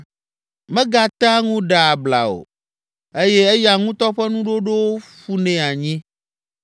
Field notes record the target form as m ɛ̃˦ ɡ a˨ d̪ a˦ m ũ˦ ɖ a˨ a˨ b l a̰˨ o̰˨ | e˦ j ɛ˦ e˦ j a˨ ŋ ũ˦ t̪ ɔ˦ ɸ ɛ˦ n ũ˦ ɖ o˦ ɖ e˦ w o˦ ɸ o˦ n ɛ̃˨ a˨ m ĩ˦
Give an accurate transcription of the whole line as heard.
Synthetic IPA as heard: m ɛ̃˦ ɡ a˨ t̪ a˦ ŋ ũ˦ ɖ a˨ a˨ b l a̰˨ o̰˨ | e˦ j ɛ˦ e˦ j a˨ ŋ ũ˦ t̪ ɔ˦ ɸ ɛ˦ n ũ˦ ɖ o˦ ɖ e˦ w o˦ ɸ u˦ n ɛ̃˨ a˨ ɲ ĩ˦